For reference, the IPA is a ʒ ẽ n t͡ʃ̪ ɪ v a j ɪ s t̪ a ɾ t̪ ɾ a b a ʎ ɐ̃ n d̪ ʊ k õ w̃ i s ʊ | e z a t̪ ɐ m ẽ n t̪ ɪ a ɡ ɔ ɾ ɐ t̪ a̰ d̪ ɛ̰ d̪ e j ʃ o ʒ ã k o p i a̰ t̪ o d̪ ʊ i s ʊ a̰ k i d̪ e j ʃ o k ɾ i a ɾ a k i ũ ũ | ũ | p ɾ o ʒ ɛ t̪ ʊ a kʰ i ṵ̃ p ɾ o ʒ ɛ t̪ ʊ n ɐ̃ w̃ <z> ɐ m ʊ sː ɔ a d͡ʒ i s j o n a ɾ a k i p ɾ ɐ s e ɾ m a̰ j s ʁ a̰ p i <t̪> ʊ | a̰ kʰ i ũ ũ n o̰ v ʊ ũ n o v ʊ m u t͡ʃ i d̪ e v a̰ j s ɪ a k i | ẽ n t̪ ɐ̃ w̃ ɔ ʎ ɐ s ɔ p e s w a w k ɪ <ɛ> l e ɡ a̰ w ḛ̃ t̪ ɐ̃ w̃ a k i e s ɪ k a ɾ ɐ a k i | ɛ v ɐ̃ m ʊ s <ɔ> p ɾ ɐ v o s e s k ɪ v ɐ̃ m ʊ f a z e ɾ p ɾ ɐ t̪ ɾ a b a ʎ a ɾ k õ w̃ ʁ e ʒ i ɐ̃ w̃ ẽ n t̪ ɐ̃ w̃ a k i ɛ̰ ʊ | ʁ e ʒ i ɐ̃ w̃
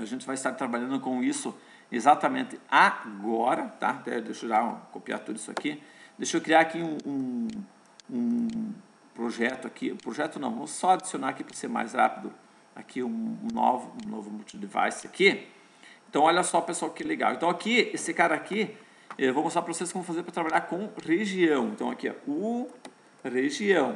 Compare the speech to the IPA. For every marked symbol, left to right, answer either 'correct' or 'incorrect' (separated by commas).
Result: incorrect, incorrect, correct, correct